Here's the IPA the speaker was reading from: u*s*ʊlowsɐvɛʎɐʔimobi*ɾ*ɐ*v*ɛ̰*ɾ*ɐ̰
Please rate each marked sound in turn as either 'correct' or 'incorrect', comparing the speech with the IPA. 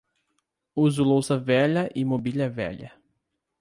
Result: incorrect, incorrect, correct, incorrect

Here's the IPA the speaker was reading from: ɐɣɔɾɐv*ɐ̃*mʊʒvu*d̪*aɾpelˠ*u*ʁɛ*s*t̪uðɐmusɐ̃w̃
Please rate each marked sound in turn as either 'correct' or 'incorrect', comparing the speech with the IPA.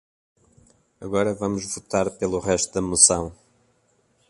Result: incorrect, incorrect, correct, incorrect

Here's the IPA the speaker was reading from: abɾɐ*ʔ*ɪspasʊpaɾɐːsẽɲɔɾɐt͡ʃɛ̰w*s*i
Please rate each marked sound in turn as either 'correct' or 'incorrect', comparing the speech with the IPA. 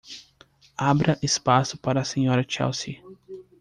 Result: correct, correct

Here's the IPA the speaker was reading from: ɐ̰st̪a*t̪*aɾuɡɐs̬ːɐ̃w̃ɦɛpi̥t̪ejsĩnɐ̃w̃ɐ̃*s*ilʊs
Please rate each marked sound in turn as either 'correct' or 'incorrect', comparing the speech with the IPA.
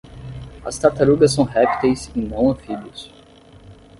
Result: correct, incorrect

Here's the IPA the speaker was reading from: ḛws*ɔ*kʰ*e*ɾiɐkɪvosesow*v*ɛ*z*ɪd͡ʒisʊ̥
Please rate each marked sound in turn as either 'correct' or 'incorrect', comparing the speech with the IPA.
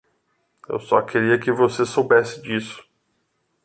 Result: correct, correct, incorrect, incorrect

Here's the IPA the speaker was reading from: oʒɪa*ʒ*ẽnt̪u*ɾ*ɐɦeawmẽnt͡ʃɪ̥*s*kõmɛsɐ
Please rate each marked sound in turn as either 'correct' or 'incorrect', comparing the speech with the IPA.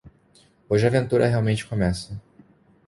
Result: incorrect, correct, incorrect

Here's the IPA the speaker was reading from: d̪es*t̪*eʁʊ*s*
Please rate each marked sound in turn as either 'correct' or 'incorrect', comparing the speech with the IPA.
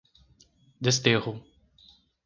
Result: correct, incorrect

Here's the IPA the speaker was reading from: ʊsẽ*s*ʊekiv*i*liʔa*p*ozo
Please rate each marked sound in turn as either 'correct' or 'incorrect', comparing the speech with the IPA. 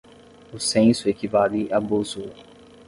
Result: correct, incorrect, incorrect

